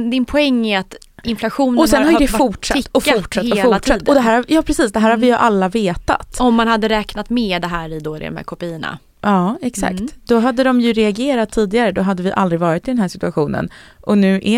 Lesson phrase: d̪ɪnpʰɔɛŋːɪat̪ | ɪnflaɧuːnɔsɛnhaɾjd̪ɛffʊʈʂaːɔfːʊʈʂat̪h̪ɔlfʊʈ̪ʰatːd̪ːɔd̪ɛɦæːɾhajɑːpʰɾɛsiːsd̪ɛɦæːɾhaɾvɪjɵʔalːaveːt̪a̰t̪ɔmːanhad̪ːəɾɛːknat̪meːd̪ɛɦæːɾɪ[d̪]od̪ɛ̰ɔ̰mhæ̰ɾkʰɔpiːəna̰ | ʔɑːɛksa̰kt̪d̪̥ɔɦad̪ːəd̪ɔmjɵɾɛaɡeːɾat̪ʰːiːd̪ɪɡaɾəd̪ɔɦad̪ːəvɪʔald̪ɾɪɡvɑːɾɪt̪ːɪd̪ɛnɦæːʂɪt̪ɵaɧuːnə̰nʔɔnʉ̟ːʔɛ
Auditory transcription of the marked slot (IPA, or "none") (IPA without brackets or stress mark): d̪